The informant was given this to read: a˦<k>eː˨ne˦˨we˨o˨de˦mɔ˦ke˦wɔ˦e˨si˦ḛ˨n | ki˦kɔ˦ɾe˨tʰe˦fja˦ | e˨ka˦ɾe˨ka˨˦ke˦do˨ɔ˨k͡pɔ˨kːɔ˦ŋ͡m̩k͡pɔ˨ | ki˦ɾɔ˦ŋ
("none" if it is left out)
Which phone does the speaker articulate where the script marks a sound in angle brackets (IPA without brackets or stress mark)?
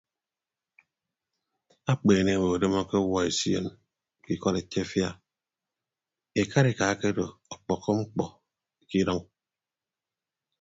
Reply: k͡p